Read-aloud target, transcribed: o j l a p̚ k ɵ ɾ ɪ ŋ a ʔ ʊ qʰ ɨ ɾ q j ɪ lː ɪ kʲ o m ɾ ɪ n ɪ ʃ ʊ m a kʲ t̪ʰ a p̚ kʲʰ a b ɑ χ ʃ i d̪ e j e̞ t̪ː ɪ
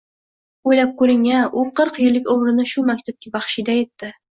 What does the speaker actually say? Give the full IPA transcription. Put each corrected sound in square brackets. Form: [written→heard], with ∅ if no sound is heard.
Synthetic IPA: o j l a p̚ k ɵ ɾ ɪ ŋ a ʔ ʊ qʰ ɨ ɾ q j ɪ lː ɪ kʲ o m ɾ ɪ n ɪ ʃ ʊ m a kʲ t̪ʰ a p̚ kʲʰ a b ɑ χ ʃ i d̪ [e→a] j e̞ t̪ː ɪ

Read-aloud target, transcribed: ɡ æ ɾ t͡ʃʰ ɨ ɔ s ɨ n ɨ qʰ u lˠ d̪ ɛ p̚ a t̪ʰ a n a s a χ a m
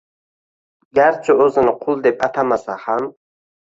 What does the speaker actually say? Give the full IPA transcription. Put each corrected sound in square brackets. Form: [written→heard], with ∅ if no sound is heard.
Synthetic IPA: ɡ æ ɾ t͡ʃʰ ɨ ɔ [s→z] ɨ n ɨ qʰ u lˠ d̪ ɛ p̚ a t̪ʰ a [n→m] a s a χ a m

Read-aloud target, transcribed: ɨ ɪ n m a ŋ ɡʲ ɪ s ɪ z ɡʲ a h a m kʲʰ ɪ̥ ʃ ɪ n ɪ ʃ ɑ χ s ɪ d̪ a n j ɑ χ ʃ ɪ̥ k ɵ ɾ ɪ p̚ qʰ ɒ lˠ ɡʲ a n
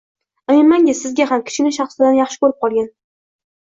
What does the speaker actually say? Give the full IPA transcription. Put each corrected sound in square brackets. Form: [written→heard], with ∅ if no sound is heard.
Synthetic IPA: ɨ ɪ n m a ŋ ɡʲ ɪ s ɪ z ɡʲ a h a m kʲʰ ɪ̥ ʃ ɪ n ɪ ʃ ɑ χ s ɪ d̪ a n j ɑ χ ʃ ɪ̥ k ɵ ɾ ɪ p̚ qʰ ɒ lˠ ɡʲ a n

